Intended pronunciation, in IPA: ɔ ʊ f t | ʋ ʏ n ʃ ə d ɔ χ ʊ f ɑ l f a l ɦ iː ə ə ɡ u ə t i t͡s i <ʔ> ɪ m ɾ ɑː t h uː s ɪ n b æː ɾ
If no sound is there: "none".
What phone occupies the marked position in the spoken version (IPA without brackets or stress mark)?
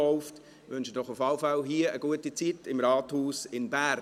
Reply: t